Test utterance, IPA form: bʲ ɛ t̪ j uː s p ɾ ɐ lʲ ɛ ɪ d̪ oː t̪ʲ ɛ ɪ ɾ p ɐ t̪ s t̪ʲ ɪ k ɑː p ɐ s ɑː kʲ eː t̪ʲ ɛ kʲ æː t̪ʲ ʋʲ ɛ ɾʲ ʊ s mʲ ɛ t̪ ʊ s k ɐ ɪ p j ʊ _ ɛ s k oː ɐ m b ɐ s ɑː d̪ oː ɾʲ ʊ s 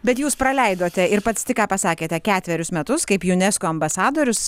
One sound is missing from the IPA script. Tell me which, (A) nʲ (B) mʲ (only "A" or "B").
A